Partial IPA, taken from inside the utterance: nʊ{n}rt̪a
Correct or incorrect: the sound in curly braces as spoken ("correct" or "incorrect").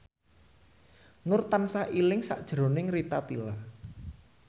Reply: incorrect